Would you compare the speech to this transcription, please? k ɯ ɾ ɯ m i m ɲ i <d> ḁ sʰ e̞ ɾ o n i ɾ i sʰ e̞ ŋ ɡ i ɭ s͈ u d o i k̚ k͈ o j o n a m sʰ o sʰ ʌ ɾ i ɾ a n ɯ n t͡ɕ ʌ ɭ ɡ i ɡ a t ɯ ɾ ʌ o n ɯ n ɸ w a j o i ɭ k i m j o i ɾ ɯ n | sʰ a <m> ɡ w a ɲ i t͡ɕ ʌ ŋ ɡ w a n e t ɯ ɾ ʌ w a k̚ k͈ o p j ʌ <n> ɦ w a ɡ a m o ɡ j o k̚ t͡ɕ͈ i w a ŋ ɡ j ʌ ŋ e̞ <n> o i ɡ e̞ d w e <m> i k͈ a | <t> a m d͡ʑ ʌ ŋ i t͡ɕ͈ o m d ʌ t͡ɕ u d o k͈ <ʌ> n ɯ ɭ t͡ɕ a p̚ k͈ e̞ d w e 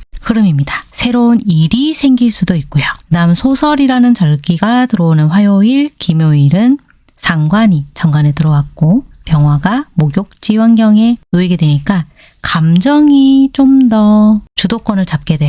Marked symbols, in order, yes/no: yes, no, no, yes, no, no, yes

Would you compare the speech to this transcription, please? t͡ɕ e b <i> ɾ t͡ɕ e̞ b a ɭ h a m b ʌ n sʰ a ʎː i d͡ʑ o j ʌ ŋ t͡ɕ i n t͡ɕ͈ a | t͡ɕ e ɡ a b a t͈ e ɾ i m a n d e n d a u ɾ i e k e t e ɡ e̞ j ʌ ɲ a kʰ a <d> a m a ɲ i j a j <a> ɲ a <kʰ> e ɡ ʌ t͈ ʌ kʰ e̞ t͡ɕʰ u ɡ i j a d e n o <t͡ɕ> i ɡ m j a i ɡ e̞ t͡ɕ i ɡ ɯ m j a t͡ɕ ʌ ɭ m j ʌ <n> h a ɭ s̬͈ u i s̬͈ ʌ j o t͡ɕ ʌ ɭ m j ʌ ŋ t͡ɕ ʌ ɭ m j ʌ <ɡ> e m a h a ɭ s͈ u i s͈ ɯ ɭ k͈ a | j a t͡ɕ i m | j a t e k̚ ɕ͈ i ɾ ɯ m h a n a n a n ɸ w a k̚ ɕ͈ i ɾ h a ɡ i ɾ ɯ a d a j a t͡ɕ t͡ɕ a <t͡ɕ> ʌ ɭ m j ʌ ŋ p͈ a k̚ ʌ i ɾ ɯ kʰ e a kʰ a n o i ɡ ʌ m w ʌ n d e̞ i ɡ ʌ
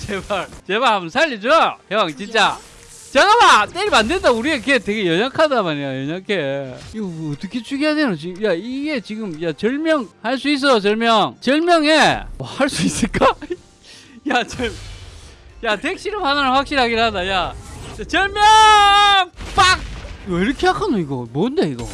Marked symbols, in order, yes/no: no, yes, no, yes, yes, no, no, yes

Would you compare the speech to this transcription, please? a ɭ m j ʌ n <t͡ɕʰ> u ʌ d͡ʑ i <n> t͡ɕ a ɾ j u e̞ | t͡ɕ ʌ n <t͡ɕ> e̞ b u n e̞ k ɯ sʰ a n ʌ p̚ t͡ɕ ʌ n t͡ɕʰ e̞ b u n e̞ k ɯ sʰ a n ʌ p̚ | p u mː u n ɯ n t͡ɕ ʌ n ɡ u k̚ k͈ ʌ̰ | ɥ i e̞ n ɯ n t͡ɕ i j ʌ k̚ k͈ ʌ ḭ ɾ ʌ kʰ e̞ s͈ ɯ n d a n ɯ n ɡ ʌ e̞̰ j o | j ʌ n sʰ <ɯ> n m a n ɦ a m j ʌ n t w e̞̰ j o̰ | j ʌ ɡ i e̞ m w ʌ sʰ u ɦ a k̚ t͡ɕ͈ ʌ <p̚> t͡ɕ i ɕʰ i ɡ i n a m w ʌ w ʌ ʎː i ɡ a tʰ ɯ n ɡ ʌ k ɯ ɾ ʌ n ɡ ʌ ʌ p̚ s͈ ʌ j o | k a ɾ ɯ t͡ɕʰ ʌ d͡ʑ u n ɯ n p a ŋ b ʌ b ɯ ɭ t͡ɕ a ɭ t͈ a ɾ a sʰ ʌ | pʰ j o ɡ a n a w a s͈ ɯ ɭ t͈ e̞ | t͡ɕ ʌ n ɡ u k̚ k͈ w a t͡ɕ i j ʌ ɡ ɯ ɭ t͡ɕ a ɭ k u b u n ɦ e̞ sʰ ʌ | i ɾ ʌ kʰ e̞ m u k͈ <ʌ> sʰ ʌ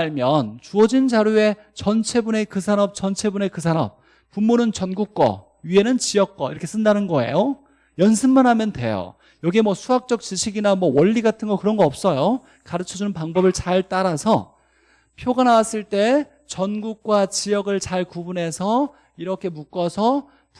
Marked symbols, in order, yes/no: no, yes, no, yes, no, yes

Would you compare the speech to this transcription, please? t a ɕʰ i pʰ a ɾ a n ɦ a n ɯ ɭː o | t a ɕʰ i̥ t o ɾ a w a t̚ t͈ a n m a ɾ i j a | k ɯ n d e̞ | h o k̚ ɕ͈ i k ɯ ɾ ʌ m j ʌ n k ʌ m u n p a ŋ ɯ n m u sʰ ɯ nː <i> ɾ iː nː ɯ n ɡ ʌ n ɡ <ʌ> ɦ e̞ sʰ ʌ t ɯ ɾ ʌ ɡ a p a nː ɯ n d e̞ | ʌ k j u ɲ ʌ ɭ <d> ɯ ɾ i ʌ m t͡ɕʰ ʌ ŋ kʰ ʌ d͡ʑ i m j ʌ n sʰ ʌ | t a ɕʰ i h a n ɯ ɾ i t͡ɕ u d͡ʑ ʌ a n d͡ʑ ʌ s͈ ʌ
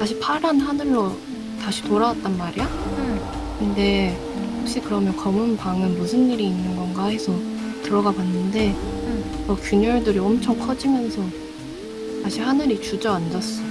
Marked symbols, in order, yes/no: yes, no, yes

